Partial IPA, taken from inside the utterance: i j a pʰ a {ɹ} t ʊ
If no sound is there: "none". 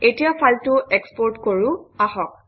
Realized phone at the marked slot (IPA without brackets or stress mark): l